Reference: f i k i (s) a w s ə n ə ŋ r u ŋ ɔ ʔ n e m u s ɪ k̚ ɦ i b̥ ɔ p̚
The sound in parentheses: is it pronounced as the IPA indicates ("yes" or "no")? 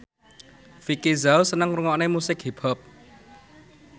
no